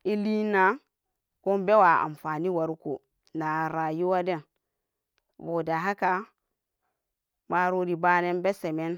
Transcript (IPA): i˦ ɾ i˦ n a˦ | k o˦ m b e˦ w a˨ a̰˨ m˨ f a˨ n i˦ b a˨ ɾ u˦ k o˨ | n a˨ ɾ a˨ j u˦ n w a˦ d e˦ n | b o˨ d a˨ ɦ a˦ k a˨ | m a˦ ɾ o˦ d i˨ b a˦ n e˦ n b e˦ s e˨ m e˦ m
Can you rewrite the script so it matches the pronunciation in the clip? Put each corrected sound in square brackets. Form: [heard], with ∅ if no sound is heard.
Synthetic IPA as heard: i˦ [l] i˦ n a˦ | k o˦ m b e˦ w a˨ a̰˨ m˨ f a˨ n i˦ [w] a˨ ɾ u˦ k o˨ | n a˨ ɾ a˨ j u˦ [∅] w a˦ d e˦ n | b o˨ d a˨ ɦ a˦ k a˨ | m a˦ ɾ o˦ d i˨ b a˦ n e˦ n b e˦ s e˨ m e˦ [n]